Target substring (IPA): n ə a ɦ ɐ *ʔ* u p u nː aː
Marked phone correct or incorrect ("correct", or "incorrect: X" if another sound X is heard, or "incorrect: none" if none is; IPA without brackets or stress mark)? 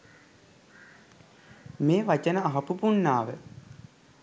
incorrect: p